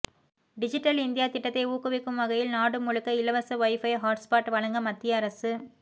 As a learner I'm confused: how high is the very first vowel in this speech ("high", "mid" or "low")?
high